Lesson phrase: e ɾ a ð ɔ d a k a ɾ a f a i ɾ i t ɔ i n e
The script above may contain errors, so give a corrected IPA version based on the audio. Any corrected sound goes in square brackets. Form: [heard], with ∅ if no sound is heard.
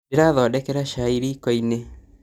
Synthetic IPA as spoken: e ɾ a ð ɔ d [ɛ] k [ɛ] ɾ a [ʃ] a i ɾ i [k] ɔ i n e